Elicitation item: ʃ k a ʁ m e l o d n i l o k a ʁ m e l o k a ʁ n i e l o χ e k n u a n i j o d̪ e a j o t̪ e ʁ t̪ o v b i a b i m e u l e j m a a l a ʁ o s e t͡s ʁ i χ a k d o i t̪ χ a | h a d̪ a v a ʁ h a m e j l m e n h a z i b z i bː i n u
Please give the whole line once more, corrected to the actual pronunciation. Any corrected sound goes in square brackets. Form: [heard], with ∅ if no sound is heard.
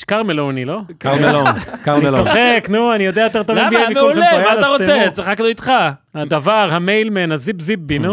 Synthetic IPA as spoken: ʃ k a ʁ m e l o [∅] n i l o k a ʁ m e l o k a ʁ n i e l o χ e k n u a n i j o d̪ e a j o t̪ e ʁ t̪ o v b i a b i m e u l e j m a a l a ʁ o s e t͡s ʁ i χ a k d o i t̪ χ a | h a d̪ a v a ʁ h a m e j l m e n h a z i b z i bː i n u